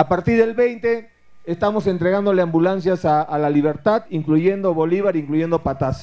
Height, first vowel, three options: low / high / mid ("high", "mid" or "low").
low